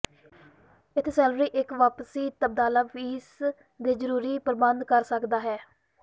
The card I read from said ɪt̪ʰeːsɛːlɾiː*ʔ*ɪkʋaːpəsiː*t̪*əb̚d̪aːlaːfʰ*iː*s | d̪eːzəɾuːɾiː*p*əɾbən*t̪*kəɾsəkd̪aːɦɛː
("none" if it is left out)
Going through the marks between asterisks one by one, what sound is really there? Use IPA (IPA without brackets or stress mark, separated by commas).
ʔ, t̪, iː, p, d̪